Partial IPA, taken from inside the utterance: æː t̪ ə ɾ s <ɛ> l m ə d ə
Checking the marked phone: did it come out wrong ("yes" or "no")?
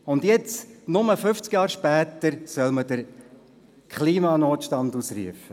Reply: yes